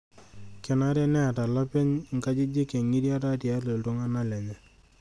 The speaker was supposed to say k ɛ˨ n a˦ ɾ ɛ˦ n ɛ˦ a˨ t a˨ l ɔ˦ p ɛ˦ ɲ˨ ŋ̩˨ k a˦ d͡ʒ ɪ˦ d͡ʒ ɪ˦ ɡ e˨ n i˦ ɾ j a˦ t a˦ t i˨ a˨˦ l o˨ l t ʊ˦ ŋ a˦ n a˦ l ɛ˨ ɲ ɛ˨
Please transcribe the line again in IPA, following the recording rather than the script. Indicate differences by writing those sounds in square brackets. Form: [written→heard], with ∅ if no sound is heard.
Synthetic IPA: k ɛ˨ n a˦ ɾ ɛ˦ n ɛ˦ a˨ t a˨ l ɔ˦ p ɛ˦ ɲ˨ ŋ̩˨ k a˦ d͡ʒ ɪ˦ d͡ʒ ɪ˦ [ɡ→k] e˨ [n→ŋ] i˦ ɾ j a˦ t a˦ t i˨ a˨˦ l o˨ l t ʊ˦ ŋ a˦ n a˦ l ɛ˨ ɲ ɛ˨